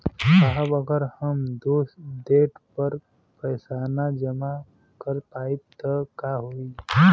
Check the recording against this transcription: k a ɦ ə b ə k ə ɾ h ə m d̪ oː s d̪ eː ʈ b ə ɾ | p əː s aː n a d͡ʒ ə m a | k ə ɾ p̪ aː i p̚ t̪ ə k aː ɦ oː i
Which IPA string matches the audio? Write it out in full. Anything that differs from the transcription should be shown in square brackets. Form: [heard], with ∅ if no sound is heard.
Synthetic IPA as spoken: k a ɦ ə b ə [ɡ] ə ɾ h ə m d̪ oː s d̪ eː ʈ [p] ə ɾ | p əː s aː n a d͡ʒ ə m a | k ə ɾ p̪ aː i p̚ t̪ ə k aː ɦ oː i